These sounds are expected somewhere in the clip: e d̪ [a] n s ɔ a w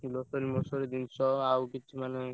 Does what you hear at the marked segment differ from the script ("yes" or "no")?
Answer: yes